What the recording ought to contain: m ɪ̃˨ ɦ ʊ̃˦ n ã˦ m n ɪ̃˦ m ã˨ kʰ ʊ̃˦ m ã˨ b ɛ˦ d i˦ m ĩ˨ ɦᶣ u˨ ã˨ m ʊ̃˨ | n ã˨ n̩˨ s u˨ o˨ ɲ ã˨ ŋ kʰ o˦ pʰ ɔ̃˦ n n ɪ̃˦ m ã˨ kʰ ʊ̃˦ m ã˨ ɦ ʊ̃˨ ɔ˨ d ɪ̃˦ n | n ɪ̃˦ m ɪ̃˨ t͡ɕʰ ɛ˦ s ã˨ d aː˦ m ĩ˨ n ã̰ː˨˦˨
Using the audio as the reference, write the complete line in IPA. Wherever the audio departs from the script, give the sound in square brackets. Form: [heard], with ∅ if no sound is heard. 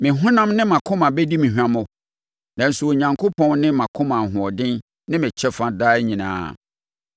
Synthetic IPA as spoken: m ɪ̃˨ ɦ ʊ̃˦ n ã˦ m n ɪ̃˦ m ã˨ kʰ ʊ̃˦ m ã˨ b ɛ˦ d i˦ m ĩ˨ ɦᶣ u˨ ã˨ m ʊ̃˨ | n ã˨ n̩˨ s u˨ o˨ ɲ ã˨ ŋ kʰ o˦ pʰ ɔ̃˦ n n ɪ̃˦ m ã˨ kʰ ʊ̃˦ m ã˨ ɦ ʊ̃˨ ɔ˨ d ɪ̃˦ n | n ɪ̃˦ m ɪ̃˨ t͡ɕʰ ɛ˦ [f] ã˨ d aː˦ [ɲ] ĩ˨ n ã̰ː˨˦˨